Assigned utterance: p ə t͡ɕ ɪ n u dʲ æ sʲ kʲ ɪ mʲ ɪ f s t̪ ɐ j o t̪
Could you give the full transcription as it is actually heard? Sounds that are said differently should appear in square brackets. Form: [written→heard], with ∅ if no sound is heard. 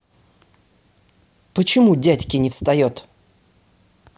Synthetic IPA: p ə t͡ɕ ɪ [n→m] u dʲ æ [sʲ→tʲ] kʲ ɪ [mʲ→nʲ] ɪ f s t̪ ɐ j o t̪